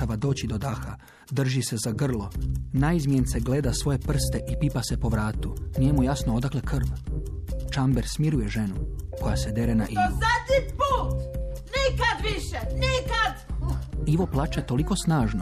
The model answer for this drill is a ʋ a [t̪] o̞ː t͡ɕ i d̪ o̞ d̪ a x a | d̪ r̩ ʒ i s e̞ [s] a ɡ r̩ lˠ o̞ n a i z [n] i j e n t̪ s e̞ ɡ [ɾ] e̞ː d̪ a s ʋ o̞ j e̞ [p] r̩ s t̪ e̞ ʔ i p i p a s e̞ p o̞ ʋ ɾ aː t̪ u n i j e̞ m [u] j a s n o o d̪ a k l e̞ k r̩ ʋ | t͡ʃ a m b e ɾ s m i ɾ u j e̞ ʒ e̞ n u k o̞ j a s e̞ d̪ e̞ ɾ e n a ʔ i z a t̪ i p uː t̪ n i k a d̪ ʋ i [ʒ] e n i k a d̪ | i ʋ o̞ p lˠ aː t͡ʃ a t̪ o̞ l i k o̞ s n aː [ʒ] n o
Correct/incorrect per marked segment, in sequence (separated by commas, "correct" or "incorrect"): incorrect, incorrect, incorrect, incorrect, correct, correct, incorrect, correct